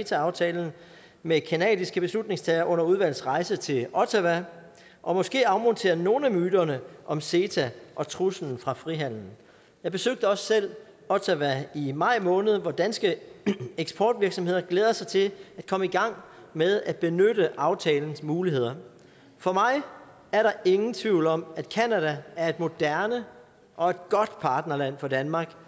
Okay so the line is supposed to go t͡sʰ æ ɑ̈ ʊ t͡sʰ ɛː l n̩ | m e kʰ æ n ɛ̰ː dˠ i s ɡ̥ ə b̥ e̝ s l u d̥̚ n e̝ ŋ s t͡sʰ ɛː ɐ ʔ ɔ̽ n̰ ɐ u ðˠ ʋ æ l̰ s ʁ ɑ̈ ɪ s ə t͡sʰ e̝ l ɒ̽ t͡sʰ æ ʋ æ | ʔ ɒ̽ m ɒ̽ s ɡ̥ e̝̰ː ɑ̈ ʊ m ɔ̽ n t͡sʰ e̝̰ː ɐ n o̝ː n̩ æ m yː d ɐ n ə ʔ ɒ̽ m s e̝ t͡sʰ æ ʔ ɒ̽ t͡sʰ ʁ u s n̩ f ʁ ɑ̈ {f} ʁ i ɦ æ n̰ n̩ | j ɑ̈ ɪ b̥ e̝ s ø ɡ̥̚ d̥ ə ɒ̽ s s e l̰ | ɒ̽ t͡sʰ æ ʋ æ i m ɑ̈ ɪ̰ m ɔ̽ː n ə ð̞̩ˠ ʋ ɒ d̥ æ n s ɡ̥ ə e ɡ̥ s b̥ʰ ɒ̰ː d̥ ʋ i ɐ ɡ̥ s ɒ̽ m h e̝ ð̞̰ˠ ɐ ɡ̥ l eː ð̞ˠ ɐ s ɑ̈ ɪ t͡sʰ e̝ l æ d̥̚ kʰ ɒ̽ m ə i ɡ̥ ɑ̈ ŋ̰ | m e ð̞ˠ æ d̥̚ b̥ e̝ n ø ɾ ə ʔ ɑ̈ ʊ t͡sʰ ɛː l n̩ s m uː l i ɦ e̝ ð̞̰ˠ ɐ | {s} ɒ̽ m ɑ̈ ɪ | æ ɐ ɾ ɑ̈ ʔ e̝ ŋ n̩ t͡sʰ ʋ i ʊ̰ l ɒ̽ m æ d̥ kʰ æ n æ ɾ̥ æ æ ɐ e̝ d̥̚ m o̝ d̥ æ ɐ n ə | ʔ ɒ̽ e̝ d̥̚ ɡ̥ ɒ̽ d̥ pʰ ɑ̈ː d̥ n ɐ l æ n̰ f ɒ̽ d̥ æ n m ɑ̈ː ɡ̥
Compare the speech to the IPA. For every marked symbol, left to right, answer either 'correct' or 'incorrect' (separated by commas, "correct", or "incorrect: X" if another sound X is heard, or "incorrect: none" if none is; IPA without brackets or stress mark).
correct, incorrect: f